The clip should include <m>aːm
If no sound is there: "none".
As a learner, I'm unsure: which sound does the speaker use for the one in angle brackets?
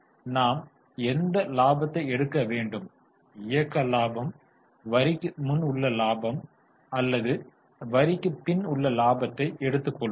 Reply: n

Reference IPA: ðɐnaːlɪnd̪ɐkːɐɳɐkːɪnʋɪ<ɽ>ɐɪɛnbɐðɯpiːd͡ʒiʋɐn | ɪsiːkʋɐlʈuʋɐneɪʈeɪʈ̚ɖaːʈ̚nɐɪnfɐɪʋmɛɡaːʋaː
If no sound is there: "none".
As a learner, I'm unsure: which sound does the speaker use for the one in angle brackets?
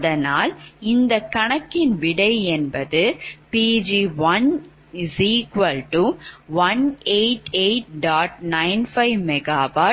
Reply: ɽ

